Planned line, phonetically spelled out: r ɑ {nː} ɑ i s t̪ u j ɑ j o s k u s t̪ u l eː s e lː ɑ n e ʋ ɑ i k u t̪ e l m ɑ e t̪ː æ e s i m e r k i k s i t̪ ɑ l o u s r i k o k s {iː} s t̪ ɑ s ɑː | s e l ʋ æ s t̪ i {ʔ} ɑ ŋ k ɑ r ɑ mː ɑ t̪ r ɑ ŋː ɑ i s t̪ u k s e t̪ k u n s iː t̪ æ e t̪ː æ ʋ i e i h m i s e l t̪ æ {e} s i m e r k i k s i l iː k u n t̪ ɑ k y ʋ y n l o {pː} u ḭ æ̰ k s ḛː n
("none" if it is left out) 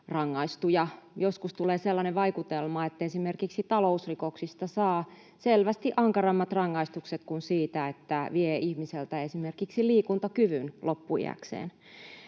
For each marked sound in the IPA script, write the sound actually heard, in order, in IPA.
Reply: ŋː, i, ʔ, e, pː

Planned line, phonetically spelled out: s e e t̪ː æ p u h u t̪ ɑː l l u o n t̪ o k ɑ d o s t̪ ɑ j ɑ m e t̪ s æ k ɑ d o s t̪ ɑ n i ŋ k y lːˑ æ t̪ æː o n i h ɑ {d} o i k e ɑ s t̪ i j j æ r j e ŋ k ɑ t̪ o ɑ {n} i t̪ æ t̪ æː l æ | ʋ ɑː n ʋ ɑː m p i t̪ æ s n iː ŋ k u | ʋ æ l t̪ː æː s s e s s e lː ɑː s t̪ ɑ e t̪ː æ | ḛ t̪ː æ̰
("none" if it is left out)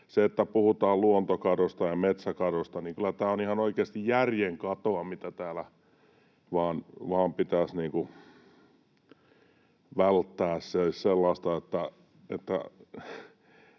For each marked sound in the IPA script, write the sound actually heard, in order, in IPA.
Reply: n, m

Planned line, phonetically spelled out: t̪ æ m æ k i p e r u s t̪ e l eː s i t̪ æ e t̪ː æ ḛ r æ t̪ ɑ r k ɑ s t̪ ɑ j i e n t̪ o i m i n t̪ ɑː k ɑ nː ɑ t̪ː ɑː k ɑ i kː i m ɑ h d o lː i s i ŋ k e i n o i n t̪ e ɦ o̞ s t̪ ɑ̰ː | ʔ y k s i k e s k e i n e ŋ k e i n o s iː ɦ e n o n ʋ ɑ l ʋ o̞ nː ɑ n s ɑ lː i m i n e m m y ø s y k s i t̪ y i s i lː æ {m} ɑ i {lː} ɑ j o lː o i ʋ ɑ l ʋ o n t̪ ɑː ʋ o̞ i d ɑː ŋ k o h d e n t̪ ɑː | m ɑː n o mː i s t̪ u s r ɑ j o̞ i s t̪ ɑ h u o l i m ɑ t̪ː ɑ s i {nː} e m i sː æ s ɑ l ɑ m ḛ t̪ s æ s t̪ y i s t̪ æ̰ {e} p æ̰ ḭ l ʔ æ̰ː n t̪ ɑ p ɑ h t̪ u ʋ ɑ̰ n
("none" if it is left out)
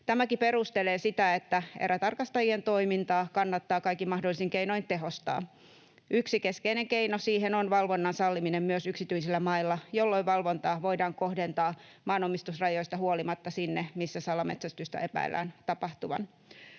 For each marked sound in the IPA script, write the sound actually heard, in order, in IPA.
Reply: m, lː, nː, e

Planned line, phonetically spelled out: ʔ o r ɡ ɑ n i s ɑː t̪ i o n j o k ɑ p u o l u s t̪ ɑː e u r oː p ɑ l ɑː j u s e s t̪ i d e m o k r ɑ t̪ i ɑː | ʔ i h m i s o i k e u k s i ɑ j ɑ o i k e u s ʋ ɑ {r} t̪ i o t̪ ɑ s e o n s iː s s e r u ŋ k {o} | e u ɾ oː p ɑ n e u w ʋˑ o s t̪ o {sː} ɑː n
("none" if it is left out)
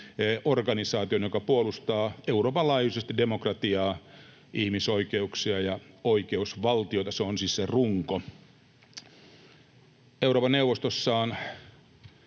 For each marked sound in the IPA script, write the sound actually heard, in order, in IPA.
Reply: l, o, sː

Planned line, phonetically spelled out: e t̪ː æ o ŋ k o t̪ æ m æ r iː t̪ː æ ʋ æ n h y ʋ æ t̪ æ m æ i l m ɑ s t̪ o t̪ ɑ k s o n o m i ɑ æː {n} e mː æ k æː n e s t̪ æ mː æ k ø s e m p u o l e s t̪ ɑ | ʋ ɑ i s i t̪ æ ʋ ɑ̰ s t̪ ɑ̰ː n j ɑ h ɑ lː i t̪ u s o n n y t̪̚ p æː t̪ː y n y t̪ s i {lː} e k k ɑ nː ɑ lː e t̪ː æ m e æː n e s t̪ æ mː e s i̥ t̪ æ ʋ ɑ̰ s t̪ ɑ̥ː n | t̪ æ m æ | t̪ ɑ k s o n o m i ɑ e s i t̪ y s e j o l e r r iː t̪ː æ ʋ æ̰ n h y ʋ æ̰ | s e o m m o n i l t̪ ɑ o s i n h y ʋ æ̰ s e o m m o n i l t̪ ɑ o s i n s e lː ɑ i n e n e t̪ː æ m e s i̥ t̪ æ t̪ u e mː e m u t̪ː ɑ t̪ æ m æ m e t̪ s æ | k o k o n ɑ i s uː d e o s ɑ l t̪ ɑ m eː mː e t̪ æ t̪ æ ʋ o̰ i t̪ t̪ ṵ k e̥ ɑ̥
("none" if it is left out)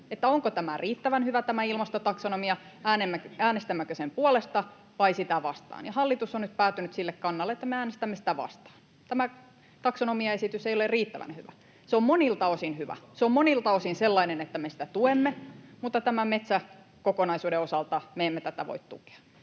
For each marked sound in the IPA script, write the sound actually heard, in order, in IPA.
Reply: n, lː

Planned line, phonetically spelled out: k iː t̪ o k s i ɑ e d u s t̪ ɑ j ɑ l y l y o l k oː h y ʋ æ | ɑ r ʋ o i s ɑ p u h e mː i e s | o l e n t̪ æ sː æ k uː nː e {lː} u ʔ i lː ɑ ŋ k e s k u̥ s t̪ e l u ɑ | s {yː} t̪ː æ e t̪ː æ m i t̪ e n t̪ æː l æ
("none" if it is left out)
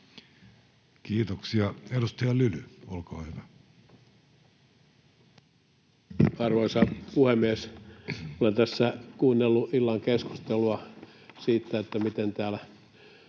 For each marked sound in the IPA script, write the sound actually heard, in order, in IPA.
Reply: lː, iː

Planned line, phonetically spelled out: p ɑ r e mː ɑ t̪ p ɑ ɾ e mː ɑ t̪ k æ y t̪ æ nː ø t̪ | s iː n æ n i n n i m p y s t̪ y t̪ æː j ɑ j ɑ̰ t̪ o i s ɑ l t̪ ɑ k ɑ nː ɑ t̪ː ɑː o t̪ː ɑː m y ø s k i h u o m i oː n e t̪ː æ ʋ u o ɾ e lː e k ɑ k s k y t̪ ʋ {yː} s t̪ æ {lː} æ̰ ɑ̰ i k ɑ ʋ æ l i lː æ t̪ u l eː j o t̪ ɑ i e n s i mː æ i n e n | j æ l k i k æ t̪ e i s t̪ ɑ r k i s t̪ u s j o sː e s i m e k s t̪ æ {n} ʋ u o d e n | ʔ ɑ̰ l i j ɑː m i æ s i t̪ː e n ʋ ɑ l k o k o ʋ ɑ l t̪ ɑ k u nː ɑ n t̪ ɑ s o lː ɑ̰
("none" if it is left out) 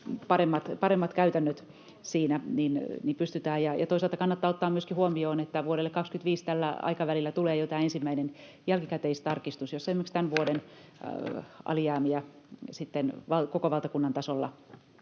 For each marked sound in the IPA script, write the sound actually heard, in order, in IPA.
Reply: iː, lː, n

